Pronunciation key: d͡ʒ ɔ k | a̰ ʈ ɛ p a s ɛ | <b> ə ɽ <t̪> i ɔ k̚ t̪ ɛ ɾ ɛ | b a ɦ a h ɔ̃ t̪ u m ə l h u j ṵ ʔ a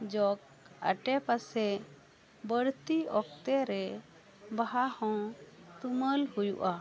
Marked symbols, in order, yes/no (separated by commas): yes, yes